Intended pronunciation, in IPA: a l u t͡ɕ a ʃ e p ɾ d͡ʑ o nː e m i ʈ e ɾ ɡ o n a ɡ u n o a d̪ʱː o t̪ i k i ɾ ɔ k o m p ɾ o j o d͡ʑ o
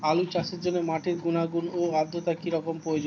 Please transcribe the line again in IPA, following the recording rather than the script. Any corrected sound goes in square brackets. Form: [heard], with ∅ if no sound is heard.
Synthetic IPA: a l u t͡ɕ a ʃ e [∅] ɾ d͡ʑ o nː e m [a] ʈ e ɾ ɡ [u] n a ɡ u n o a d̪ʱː o t̪ [a] k i ɾ ɔ k o m p ɾ o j o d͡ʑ o